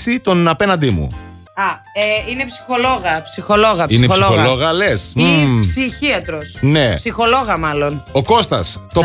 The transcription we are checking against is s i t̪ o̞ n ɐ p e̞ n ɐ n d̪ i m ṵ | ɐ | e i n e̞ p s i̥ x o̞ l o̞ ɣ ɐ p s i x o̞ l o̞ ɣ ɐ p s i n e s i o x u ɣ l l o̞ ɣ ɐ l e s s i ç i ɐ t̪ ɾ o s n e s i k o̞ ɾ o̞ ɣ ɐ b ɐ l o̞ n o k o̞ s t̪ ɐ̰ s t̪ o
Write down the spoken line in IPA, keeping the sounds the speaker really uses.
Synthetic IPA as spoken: s i t̪ o̞ n ɐ p e̞ n ɐ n d̪ i m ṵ | ɐ | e i n e̞ p s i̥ x o̞ l o̞ ɣ ɐ p s i x o̞ l o̞ ɣ ɐ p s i n e s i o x o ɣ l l o̞ ɣ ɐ l e s s i ç i ɐ t̪ ɾ o s n e s i x o̞ l o̞ ɣ ɐ m ɐ l o̞ n o k o̞ s t̪ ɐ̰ s t̪ o